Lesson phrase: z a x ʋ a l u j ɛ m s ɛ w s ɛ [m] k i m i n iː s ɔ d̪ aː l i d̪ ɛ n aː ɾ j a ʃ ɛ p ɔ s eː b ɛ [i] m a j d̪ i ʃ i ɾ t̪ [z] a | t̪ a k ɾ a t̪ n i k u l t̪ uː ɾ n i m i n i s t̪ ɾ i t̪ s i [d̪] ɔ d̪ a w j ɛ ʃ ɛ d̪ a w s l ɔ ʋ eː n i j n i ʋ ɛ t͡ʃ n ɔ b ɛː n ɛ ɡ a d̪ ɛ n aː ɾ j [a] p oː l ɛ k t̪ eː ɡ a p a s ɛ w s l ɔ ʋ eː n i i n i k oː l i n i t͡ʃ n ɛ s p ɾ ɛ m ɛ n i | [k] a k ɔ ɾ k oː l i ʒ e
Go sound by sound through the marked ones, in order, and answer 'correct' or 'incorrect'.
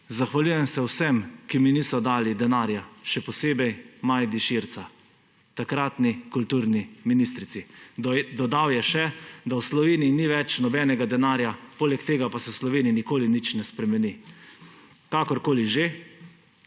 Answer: correct, incorrect, incorrect, correct, correct, correct

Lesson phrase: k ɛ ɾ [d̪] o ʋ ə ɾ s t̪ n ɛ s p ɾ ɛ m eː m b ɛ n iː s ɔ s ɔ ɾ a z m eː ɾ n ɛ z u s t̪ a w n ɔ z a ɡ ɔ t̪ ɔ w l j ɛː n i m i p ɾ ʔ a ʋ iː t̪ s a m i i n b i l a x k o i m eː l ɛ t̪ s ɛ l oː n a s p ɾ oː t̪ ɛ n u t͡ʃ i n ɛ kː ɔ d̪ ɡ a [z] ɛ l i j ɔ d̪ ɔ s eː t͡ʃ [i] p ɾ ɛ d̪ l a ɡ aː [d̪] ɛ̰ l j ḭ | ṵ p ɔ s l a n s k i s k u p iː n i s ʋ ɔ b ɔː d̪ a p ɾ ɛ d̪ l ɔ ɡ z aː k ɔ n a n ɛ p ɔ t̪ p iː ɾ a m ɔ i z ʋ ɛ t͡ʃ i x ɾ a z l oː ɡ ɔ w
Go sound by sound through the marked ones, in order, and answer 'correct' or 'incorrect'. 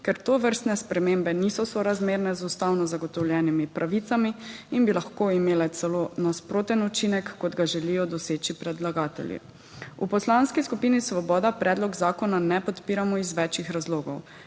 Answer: incorrect, incorrect, correct, incorrect

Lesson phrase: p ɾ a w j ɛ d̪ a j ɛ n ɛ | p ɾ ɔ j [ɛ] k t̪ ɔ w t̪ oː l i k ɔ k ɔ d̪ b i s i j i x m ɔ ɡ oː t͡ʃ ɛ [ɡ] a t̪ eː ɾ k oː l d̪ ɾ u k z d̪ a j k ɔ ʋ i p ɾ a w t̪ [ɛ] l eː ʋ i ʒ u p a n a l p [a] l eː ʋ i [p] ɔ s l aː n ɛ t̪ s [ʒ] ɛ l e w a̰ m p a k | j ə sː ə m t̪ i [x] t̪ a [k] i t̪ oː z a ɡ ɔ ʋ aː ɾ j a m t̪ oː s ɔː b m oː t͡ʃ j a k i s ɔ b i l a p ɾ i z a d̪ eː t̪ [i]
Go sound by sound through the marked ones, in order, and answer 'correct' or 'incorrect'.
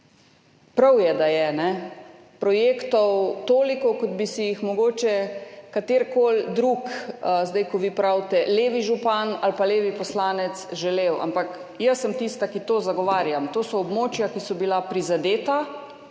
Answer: incorrect, incorrect, correct, correct, correct, correct, incorrect, correct, incorrect

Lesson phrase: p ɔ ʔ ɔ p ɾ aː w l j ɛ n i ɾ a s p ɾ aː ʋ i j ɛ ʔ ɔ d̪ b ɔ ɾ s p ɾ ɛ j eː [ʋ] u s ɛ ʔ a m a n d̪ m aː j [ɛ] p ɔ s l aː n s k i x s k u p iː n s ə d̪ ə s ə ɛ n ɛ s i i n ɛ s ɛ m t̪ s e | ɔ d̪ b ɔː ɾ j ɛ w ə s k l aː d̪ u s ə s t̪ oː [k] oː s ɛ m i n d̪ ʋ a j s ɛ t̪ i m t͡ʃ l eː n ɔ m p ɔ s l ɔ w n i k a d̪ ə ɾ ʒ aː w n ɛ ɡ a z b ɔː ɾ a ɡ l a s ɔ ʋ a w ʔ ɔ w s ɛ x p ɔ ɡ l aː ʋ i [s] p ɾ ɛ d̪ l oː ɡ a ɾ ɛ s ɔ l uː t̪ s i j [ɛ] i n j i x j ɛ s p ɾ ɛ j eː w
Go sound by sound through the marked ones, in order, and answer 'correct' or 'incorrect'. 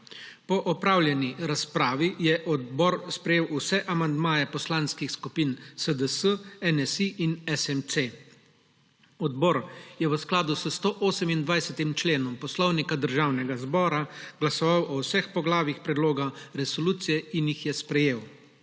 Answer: incorrect, correct, incorrect, incorrect, correct

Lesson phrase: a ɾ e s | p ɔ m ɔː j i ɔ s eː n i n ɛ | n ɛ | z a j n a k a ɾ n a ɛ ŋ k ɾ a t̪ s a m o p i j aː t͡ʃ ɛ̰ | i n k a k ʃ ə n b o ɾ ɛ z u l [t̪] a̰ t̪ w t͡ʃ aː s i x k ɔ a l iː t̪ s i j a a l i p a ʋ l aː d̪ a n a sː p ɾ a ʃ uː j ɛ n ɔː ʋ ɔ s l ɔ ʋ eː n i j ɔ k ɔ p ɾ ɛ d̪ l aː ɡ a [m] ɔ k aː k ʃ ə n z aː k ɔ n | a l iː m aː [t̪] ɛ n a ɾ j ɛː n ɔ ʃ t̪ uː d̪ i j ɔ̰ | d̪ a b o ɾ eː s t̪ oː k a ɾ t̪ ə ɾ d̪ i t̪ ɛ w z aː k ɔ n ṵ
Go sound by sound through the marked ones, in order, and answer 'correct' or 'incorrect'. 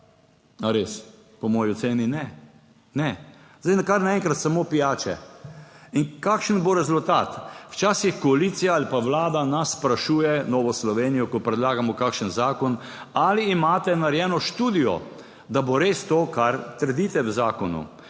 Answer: correct, correct, correct

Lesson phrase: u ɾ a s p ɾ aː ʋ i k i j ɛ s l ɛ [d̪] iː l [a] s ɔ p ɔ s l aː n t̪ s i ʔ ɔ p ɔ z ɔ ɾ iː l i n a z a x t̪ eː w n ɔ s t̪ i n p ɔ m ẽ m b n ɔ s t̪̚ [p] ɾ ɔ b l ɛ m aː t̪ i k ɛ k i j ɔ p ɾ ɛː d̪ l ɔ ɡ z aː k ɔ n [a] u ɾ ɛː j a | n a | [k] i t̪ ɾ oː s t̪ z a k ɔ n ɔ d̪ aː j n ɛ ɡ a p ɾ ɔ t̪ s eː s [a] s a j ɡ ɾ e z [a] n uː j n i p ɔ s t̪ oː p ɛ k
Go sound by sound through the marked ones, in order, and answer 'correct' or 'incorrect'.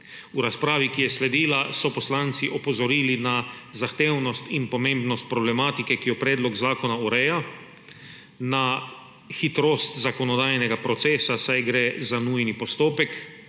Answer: correct, correct, correct, correct, incorrect, correct, correct

